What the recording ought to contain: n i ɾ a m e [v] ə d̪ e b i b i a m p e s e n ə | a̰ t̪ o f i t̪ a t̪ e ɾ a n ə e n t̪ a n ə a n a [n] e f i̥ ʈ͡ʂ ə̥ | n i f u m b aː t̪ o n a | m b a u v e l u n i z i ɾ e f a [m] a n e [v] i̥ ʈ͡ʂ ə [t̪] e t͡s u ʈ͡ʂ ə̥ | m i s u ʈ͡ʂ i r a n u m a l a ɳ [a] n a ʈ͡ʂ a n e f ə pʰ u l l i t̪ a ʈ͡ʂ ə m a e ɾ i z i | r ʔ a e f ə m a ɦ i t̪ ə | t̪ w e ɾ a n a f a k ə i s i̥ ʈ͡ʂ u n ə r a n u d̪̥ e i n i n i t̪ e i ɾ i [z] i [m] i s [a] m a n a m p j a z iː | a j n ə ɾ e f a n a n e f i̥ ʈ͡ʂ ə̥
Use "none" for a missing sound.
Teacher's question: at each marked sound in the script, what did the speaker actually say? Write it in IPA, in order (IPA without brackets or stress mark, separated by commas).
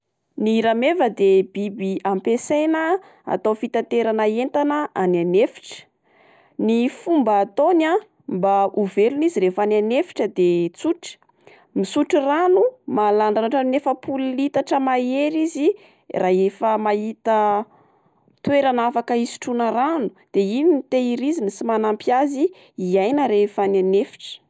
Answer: v, n, n, f, d̪, a, z, n, i